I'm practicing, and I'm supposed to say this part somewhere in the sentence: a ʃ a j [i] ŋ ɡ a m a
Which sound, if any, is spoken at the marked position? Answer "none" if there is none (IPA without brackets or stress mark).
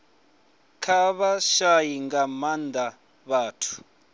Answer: i